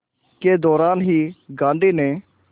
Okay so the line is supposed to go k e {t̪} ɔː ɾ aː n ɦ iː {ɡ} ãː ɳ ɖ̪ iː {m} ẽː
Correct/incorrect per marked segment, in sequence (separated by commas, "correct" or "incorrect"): incorrect, correct, incorrect